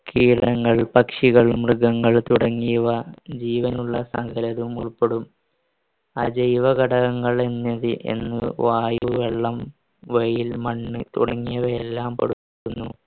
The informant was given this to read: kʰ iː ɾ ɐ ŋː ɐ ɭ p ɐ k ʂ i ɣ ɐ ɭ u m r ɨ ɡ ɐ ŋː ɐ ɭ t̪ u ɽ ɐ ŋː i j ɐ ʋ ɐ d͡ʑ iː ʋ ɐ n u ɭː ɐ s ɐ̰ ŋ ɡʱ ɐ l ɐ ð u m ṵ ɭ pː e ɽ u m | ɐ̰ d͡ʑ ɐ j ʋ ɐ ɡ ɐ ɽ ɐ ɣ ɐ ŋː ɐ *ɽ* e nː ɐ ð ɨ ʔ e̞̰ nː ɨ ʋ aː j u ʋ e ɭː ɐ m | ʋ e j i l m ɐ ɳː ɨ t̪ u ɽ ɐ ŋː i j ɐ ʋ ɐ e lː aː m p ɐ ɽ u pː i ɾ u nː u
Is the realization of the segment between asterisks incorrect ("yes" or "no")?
yes